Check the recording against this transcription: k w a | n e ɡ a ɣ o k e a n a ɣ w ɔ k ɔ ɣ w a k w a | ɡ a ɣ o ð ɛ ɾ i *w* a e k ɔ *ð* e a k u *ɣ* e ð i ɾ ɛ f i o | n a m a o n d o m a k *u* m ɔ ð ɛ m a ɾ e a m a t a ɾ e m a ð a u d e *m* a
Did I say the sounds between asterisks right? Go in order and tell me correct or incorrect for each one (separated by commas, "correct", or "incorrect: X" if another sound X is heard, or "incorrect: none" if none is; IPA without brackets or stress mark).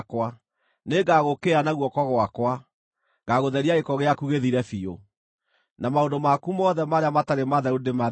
incorrect: none, incorrect: ɣ, correct, correct, correct